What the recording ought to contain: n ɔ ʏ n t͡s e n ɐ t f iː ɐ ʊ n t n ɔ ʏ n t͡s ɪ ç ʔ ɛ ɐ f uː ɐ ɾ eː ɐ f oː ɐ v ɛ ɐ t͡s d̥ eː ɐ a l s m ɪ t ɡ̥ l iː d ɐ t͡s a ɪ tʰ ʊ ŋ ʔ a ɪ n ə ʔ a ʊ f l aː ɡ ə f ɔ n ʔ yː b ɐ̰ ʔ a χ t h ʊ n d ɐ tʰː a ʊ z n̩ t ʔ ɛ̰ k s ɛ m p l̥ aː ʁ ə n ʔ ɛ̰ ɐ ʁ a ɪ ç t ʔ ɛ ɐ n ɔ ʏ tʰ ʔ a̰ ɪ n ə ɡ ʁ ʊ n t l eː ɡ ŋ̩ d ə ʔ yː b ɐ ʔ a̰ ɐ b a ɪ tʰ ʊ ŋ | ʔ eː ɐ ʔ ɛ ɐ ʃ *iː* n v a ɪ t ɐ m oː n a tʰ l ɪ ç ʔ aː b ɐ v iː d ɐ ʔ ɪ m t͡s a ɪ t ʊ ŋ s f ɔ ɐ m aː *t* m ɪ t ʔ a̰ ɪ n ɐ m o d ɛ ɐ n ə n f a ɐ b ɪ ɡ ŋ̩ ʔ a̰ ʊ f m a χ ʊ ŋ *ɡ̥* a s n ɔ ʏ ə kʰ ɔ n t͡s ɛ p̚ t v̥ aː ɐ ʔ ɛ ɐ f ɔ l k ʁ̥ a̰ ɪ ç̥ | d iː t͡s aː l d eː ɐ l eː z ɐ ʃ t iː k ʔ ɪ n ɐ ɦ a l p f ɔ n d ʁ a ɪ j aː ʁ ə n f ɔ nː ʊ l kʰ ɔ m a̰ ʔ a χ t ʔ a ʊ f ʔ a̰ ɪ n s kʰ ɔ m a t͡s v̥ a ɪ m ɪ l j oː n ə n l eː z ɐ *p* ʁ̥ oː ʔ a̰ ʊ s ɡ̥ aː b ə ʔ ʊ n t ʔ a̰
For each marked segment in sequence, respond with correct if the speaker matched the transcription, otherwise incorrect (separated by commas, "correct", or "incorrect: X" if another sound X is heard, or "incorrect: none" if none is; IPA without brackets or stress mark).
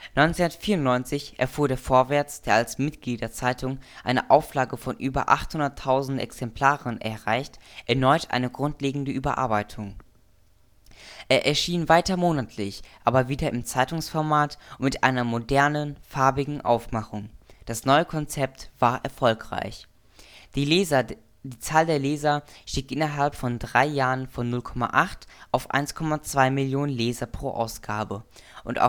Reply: correct, correct, incorrect: d̥, correct